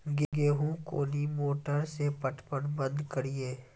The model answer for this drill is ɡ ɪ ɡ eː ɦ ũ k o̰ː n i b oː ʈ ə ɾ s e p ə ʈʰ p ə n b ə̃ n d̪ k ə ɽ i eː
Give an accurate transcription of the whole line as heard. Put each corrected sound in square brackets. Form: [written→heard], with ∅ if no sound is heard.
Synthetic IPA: ɡ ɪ ɡ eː ɦ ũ k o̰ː n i [b→m] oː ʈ ə ɾ s e p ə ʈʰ p ə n b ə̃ n d̪ k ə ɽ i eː